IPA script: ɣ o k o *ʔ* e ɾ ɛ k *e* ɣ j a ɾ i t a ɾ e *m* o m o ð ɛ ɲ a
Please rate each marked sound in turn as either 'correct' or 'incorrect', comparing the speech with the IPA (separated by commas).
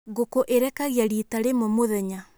correct, incorrect, correct